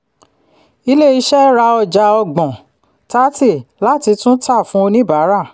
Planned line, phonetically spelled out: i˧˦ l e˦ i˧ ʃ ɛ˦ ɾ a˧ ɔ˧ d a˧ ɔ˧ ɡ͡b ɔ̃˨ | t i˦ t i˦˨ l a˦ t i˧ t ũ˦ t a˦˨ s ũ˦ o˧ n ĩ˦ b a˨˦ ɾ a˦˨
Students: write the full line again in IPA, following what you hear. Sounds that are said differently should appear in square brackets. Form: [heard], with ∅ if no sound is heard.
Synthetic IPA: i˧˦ l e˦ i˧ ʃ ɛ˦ ɾ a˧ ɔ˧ [d͡ʒ] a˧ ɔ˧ ɡ͡b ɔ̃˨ | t [a˦] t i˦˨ l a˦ t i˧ t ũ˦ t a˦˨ [f] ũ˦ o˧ n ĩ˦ b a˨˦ ɾ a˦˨